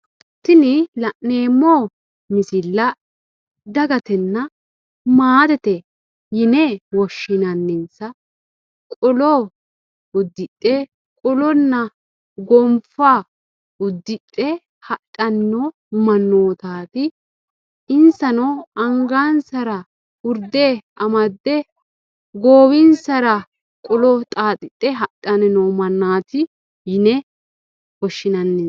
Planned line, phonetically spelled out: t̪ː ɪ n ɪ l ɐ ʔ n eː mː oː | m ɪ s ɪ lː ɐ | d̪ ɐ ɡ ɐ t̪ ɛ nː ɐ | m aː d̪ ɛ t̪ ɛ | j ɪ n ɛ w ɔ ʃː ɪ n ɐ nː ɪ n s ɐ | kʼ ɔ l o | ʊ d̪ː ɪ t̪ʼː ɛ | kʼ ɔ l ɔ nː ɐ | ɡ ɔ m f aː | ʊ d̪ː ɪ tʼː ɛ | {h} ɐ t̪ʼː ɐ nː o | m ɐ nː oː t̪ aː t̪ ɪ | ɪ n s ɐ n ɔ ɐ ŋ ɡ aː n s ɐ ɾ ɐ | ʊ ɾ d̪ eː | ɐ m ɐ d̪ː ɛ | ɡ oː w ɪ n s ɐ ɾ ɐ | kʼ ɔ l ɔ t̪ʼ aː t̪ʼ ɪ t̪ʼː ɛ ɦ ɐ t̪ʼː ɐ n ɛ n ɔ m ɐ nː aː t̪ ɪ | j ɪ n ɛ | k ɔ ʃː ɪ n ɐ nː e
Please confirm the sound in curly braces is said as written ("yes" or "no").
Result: yes